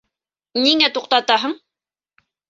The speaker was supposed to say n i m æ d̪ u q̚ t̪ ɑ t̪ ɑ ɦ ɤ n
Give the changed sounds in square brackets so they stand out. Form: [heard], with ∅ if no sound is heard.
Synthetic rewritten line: n i [ŋ] æ [t̪] u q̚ t̪ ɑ t̪ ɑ ɦ ɤ [ɴ]